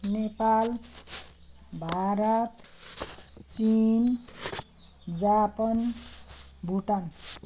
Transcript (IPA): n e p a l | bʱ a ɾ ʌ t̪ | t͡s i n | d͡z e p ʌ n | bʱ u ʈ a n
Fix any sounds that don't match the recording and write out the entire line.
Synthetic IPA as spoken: n e p a l | bʱ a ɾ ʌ t̪ | t͡s i n | d͡z a p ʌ n | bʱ u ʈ a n